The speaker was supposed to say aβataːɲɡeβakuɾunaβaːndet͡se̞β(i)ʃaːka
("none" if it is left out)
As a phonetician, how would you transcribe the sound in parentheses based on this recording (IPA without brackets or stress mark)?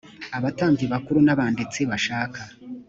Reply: a